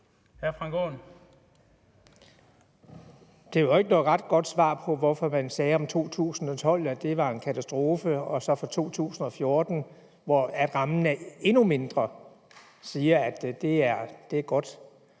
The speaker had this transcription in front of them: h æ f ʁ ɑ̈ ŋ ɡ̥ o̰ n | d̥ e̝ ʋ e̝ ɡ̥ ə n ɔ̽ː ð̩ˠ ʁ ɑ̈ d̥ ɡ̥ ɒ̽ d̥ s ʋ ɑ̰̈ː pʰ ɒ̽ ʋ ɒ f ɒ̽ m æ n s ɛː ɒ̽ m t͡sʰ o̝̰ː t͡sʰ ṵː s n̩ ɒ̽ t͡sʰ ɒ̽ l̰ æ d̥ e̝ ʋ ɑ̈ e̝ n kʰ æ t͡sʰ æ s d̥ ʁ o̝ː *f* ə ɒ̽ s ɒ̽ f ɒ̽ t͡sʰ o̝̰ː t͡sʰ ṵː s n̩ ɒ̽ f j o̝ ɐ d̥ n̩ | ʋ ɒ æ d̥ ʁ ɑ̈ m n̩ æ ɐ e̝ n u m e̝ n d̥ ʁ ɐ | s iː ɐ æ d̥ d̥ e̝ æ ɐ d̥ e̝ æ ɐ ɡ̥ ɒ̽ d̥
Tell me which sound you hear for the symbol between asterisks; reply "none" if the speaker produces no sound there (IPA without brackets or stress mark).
f